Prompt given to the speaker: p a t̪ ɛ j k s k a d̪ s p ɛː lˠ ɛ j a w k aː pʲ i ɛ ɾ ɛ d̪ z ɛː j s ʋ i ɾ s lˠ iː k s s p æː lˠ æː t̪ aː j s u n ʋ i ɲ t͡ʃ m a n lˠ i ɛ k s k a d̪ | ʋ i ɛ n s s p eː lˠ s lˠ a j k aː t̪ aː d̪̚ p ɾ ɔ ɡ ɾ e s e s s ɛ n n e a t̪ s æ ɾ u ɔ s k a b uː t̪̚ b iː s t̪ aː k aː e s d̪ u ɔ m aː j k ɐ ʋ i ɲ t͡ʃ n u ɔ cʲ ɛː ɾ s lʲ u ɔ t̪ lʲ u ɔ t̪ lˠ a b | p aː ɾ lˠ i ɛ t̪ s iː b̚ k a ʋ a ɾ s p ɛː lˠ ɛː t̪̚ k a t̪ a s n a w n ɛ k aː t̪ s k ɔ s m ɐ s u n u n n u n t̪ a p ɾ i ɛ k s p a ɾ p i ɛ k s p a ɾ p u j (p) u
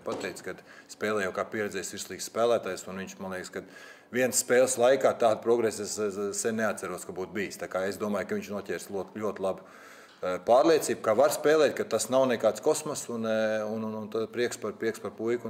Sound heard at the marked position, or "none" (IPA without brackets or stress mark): k